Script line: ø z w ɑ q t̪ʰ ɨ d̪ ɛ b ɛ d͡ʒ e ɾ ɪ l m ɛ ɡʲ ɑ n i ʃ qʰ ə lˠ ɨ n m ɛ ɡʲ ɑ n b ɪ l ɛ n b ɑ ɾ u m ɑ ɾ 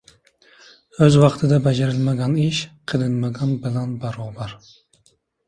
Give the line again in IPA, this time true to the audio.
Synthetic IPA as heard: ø z w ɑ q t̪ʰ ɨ d̪ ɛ b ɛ d͡ʒ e ɾ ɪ l m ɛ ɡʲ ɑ n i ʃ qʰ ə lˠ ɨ n m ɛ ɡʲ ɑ n b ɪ l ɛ n b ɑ ɾ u b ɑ ɾ